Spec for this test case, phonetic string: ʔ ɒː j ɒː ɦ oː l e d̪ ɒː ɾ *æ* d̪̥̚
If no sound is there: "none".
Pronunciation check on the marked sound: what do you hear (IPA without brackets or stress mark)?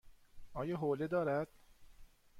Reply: æ